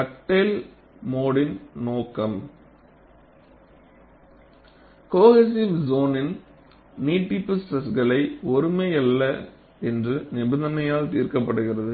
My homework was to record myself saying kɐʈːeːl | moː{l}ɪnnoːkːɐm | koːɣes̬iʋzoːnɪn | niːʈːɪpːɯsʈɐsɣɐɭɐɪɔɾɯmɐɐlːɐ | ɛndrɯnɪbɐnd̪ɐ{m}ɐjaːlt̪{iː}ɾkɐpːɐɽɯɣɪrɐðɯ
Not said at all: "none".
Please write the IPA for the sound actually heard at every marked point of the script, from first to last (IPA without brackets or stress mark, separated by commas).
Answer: ɽ, n, iː